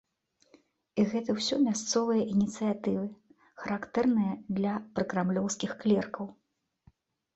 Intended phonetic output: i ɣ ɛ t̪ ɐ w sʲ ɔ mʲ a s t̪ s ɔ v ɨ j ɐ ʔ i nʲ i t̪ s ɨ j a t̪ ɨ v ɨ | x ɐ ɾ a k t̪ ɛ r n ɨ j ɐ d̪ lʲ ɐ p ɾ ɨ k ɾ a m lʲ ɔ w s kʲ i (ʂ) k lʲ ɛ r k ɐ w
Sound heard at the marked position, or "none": x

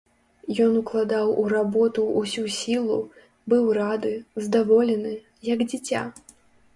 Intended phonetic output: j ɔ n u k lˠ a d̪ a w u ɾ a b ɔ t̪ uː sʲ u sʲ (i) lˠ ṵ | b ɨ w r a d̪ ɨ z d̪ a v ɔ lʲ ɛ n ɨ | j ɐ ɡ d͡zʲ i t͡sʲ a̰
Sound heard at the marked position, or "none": i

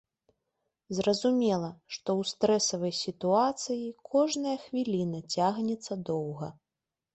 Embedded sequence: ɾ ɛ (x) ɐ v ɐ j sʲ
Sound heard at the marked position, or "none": s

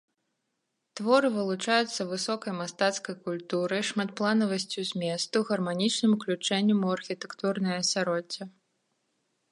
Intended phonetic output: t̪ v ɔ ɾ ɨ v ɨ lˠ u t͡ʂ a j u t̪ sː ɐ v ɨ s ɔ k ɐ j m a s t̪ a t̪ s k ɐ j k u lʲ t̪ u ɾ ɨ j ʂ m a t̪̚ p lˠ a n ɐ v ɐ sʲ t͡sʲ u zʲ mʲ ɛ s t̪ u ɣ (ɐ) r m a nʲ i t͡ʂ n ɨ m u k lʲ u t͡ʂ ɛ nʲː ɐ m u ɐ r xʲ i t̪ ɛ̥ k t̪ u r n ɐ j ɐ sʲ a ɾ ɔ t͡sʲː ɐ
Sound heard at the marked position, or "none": ɐ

